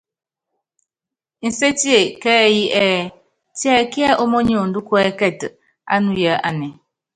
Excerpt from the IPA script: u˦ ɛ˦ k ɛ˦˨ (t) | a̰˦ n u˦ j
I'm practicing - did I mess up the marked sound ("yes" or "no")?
no